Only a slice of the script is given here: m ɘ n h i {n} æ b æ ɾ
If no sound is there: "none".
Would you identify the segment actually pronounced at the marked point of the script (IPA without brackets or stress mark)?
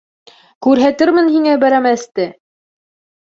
ŋ